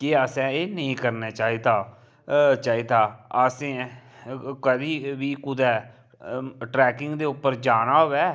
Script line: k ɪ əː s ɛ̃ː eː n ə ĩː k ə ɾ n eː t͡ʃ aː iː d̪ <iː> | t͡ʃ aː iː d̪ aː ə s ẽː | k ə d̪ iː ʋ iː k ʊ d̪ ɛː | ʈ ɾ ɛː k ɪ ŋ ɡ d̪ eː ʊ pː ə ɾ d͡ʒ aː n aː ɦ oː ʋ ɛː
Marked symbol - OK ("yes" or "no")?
no